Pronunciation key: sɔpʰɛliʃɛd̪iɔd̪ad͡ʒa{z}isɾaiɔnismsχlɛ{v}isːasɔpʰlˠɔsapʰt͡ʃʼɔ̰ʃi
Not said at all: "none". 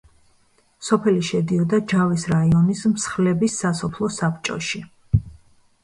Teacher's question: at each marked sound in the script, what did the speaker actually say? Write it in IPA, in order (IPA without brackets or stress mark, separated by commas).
v, b